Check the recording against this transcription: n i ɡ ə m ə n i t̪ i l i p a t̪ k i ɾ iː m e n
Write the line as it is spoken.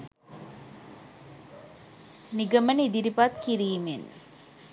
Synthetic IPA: n i ɡ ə m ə n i d̪ i ɾ i p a t̪ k i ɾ iː m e n